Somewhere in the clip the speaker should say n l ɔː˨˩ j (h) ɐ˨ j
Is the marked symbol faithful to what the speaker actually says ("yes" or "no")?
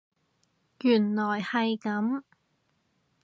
yes